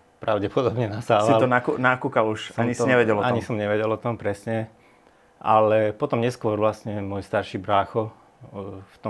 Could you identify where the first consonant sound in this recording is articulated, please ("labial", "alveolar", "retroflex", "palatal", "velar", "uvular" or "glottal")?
labial